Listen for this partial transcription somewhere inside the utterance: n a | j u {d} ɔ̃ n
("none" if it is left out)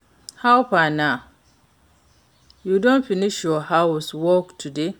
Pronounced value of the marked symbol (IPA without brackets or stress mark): d